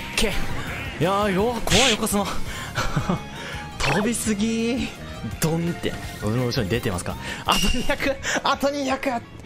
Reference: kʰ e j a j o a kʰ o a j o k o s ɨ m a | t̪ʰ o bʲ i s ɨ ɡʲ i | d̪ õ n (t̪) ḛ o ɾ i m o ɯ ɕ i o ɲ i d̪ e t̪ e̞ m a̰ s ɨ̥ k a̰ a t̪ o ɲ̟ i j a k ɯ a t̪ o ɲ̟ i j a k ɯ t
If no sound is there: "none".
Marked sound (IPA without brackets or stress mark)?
t̪